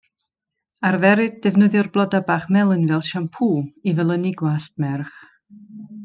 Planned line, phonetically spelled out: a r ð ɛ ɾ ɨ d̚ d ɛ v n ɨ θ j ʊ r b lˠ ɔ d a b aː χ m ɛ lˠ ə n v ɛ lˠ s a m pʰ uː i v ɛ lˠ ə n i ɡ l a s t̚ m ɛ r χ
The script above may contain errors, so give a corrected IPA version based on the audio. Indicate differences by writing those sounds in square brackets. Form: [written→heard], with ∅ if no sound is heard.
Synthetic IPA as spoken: a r [ð→v] ɛ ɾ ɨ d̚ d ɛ v n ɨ [θ→ð] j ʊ r b lˠ ɔ d a b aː χ m ɛ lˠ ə n v ɛ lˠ [s→ʃ] a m pʰ uː i v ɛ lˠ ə n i ɡ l a s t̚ m ɛ r χ